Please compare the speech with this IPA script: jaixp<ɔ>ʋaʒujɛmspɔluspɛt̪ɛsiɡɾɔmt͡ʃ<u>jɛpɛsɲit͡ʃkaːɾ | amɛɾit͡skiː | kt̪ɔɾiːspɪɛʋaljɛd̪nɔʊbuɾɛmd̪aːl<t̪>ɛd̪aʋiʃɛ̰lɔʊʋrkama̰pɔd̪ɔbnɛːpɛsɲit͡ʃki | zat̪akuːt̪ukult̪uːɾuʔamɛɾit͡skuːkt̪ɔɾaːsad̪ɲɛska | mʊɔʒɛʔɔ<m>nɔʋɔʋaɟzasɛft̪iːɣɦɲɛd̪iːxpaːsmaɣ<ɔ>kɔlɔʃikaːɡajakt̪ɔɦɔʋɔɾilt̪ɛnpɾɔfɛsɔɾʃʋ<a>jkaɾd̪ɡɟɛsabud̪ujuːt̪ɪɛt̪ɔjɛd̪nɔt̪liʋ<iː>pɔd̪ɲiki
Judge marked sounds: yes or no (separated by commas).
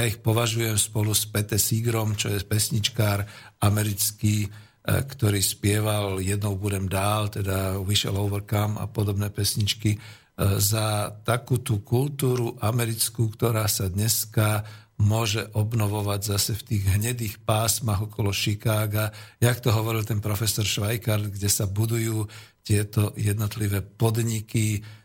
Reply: yes, no, yes, no, yes, yes, no